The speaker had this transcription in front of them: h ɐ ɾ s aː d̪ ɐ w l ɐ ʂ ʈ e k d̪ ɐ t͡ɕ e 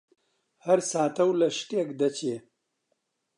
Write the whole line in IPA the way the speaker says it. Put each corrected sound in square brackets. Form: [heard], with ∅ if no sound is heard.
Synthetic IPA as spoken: h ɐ ɾ s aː [t̪] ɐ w l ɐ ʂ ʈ e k d̪ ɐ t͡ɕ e